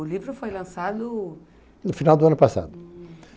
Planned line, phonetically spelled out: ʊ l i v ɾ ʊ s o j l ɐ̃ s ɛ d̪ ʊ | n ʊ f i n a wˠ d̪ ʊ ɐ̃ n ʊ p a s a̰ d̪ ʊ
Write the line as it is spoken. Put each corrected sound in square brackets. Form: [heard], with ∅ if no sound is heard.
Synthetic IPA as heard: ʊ l i v ɾ ʊ [f] o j l ɐ̃ s [a] d̪ ʊ | n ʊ f i n a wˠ d̪ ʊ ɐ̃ n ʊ p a s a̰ d̪ ʊ